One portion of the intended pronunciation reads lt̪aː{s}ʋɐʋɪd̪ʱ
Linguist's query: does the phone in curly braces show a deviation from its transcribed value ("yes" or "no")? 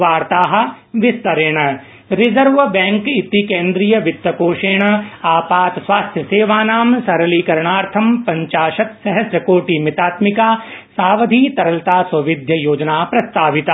no